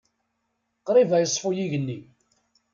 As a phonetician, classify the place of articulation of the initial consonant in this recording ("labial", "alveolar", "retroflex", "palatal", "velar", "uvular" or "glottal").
uvular